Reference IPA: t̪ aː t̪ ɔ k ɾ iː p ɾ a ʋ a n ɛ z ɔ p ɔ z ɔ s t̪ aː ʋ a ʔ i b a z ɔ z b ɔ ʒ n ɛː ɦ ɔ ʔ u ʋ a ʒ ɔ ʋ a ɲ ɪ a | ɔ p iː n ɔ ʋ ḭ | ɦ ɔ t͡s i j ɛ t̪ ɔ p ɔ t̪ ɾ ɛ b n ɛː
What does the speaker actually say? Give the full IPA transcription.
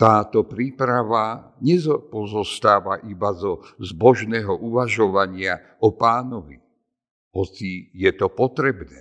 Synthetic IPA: t̪ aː t̪ ɔ p ɾ iː p ɾ a ʋ a ɲ ɛ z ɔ p ɔ z ɔ s t̪ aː ʋ a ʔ i b a z ɔ z b ɔ ʒ n ɛː ɦ ɔ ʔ u ʋ a ʒ ɔ ʋ a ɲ ɪ a | ɔ p aː n ɔ ʋ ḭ | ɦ ɔ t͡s i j ɛ t̪ ɔ p ɔ t̪ ɾ ɛ b n ɛː